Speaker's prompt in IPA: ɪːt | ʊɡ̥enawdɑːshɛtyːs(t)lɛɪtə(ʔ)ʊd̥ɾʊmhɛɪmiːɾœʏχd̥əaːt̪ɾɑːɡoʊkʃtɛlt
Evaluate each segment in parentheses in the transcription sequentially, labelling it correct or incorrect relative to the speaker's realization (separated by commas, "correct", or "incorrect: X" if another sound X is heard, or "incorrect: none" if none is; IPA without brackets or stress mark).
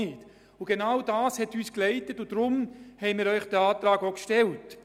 incorrect: k, incorrect: t